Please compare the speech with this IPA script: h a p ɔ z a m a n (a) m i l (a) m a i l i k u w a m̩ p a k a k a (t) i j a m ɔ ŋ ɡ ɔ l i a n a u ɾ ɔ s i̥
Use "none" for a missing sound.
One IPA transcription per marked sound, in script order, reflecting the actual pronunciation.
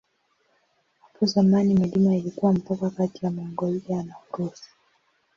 i, i, t

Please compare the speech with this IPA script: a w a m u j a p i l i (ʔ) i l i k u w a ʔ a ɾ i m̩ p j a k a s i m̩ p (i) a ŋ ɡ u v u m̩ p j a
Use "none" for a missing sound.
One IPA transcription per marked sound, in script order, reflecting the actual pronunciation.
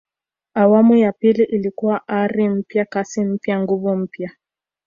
ʔ, j

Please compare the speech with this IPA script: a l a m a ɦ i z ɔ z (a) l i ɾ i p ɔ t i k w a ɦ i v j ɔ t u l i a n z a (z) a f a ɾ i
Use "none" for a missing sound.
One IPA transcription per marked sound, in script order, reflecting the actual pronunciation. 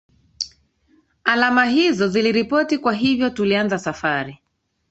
i, s

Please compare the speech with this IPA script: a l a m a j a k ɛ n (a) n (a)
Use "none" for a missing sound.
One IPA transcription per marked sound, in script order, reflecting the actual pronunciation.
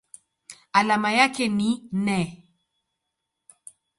i, ɛ

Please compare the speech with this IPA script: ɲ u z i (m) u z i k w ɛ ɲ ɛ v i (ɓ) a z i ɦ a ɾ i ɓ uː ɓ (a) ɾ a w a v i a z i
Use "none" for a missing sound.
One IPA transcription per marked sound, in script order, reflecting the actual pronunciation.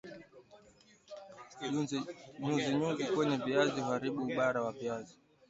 ɲ, none, a

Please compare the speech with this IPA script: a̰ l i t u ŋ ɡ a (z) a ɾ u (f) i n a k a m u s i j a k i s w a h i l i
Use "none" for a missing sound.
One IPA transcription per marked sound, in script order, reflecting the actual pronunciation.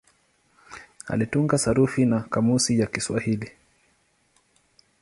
s, f

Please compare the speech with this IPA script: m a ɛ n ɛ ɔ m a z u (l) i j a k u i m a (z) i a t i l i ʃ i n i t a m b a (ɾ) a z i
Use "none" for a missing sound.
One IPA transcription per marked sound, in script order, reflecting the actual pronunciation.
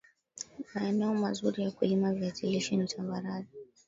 ɾ, v, ɾ

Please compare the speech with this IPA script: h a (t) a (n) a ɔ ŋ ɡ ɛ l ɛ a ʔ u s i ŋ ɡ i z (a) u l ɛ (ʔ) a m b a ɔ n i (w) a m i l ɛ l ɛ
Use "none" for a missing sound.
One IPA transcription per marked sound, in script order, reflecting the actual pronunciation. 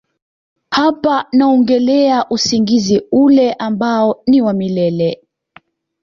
p, n, i, ʔ, w

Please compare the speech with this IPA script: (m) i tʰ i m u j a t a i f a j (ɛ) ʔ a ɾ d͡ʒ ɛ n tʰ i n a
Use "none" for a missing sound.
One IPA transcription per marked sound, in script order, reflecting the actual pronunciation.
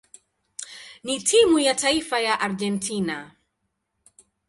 n, a

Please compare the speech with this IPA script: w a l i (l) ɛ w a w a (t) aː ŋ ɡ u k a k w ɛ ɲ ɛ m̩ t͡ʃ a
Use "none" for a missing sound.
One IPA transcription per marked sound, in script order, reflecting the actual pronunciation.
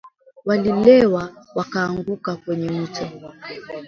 l, k

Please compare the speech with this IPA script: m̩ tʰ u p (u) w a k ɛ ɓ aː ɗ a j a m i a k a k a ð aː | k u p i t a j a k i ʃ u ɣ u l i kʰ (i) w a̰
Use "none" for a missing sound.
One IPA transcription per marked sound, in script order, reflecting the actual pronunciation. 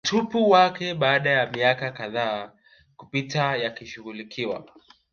u, i

